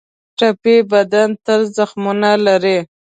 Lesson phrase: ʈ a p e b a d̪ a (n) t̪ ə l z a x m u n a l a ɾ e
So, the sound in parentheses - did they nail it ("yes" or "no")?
yes